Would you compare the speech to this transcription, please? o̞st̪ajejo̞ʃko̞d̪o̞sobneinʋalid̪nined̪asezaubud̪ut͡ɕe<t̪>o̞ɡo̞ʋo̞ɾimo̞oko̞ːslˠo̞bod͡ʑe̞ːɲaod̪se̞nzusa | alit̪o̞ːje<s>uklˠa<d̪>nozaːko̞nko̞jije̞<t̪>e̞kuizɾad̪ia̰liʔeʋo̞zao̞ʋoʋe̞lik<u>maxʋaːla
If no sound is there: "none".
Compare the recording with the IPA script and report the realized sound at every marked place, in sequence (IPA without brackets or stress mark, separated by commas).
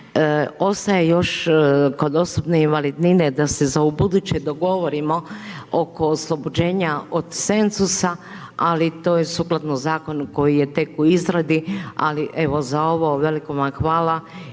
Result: d̪, s, t̪, t̪, o